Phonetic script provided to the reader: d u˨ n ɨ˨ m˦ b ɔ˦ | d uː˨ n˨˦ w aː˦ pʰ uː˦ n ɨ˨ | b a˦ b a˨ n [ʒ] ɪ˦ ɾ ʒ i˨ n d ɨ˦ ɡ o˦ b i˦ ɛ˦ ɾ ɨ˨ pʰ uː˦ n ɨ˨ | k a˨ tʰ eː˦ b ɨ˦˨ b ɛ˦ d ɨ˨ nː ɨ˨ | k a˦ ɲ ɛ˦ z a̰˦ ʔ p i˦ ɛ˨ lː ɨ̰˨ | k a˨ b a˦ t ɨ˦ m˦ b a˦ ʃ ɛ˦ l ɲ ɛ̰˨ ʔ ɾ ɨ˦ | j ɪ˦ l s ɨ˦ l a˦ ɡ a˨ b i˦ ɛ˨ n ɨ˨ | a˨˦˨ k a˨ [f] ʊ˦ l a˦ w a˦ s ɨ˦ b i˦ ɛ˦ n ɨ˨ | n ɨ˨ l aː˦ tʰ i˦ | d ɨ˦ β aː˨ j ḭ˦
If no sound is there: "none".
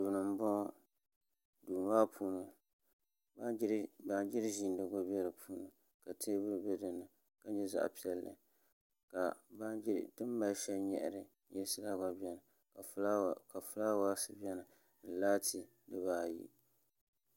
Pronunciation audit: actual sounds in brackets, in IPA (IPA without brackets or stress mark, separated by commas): d͡ʒ, f